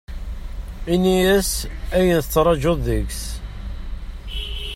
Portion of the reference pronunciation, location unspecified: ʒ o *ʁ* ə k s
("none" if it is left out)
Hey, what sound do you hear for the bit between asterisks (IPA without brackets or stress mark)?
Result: ð